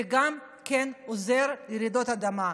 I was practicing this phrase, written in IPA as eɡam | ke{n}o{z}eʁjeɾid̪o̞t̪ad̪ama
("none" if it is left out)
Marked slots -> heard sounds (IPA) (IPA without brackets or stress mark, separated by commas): n, z